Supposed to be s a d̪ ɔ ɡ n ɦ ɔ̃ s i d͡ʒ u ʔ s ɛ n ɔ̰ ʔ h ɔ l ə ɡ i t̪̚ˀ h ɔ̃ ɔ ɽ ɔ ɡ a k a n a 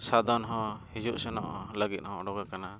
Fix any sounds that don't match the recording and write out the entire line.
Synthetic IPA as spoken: s a d̪ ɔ n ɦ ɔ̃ h i d͡ʒ u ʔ s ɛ n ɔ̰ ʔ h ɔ l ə ɡ i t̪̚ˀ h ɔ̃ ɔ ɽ ɔ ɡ a k a n a